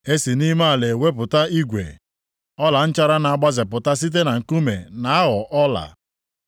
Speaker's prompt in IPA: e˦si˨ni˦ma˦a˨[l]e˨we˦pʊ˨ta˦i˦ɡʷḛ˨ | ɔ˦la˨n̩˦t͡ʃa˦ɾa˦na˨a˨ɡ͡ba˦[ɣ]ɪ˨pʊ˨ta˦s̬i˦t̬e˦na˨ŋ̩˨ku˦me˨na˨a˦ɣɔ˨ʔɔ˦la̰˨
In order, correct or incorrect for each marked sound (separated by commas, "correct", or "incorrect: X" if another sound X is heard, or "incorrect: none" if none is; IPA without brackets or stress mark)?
correct, incorrect: z